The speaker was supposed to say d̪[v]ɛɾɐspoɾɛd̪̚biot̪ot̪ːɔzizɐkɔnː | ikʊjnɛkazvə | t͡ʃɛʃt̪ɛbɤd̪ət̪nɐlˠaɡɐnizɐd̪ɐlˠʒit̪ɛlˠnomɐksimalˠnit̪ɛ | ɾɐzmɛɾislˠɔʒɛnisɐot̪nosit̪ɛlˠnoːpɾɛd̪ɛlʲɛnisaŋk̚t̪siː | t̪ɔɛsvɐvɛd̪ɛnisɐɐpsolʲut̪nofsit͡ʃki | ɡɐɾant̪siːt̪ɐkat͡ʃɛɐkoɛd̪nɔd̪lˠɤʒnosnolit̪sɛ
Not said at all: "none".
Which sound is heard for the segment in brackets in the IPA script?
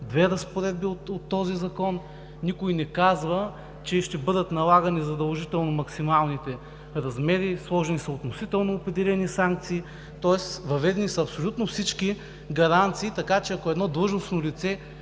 v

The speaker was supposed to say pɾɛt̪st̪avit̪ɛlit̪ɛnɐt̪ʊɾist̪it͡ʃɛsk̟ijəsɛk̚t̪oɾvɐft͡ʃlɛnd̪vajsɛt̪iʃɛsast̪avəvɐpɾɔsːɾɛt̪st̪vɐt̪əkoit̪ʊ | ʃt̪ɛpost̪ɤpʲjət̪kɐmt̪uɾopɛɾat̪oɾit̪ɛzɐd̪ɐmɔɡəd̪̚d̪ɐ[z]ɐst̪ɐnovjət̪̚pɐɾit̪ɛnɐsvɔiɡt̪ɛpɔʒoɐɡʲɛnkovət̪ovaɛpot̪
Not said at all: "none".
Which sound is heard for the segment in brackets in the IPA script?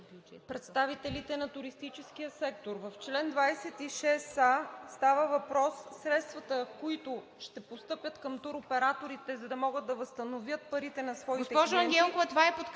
v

